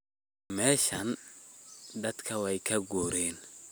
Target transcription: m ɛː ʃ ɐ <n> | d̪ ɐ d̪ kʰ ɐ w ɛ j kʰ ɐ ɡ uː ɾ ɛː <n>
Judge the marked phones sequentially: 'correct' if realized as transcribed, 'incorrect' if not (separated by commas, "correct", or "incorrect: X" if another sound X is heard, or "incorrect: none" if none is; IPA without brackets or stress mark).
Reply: correct, correct